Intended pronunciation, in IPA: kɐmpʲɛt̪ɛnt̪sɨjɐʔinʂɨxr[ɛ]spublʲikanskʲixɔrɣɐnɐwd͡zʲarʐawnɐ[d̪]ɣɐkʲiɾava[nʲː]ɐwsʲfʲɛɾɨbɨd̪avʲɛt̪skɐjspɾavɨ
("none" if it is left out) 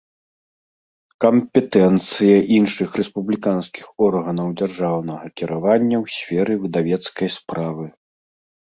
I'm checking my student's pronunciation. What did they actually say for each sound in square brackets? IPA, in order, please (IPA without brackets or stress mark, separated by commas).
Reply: ɛ, none, nʲː